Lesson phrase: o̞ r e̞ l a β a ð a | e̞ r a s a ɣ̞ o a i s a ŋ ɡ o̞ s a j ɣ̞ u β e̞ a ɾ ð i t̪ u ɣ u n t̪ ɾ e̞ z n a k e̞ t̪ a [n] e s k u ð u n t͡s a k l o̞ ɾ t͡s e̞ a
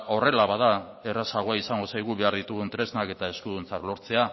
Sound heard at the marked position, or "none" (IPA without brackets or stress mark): none